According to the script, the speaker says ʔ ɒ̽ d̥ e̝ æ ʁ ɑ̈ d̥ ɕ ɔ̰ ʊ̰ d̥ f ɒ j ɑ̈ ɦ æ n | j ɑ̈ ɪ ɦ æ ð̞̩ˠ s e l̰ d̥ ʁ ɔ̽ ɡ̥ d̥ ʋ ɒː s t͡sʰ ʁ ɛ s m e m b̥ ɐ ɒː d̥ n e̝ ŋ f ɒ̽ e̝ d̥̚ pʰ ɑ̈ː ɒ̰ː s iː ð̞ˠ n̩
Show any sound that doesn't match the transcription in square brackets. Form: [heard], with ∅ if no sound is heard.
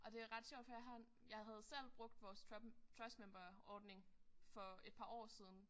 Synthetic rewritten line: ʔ ɒ̽ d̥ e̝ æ ʁ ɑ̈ d̥ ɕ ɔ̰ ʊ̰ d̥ f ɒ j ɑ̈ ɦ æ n | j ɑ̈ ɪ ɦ æ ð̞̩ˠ s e l̰ [b̥] ʁ ɔ̽ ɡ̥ d̥ ʋ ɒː s t͡sʰ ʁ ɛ s m e m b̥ ɐ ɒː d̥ n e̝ ŋ f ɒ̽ e̝ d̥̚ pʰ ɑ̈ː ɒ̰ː s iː ð̞ˠ n̩